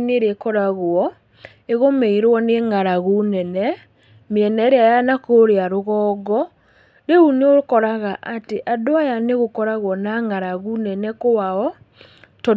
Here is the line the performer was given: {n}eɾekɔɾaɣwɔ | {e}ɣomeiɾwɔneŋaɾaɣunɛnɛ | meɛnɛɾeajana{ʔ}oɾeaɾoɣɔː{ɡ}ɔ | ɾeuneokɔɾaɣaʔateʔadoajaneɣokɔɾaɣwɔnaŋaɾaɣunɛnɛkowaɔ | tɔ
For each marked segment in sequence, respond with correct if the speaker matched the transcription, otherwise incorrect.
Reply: correct, correct, incorrect, correct

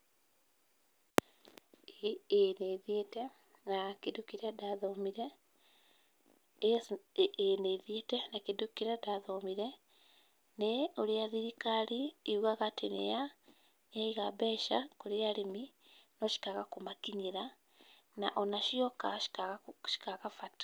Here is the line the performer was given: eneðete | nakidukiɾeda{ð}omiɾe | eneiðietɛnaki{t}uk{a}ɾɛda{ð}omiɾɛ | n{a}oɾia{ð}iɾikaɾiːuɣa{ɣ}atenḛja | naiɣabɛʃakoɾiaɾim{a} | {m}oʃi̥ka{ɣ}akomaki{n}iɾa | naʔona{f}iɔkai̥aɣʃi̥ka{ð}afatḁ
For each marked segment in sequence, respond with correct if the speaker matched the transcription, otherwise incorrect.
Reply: correct, incorrect, incorrect, correct, incorrect, correct, correct, incorrect, incorrect, correct, incorrect, incorrect, incorrect

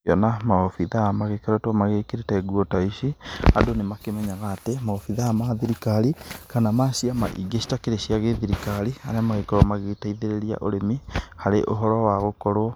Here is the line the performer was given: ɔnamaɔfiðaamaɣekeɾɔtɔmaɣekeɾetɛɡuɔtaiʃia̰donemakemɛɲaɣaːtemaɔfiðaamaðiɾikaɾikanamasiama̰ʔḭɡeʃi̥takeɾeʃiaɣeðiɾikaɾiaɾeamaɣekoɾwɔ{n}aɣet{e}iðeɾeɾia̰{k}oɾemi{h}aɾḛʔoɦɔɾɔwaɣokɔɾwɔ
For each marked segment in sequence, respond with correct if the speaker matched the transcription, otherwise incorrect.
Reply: incorrect, incorrect, incorrect, correct

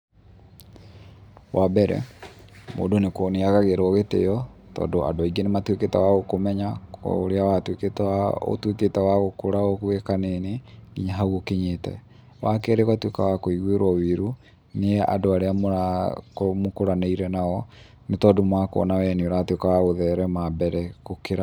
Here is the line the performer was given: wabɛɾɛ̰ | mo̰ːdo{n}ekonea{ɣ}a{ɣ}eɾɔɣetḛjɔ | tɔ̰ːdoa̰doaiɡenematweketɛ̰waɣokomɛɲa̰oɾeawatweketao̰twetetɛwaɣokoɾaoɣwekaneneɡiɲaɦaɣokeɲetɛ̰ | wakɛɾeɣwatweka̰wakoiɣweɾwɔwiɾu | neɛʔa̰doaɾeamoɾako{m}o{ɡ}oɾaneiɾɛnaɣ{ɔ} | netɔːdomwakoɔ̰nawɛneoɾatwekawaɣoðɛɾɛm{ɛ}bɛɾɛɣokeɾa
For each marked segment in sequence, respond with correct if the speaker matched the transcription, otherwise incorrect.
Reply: correct, correct, correct, correct, incorrect, correct, incorrect

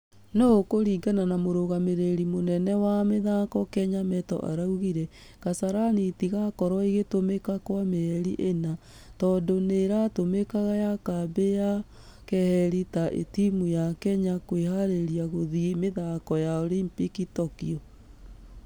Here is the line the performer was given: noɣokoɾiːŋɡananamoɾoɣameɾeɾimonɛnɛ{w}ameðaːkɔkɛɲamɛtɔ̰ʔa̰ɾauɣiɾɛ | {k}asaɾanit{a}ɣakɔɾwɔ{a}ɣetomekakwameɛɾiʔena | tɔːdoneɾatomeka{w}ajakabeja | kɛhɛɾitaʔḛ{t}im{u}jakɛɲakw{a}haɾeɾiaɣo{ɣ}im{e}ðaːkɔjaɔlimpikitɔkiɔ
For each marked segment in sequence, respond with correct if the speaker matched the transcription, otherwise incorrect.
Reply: correct, correct, incorrect, incorrect, incorrect, correct, correct, incorrect, incorrect, correct

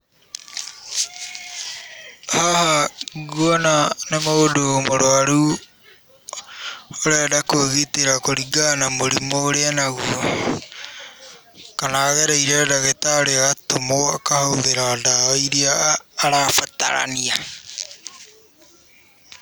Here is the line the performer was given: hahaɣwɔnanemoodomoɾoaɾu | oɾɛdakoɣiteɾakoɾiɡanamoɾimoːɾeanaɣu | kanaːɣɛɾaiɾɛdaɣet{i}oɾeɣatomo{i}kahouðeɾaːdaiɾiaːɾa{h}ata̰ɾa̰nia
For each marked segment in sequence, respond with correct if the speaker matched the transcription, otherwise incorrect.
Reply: incorrect, incorrect, incorrect

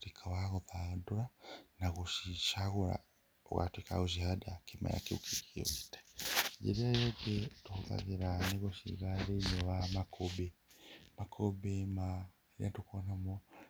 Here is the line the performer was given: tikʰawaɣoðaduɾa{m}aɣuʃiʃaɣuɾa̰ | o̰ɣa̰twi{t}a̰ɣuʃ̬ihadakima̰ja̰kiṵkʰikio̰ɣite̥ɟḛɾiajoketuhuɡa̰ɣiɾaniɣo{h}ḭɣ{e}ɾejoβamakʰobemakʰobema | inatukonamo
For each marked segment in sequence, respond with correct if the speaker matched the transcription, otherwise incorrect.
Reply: incorrect, incorrect, incorrect, incorrect

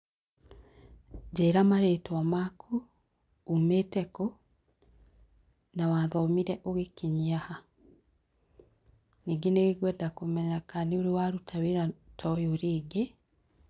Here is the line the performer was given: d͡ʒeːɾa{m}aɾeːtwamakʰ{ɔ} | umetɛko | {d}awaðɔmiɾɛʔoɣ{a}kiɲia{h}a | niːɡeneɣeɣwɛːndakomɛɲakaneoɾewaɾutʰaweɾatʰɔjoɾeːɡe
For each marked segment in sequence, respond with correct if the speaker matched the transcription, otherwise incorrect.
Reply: correct, incorrect, incorrect, incorrect, correct

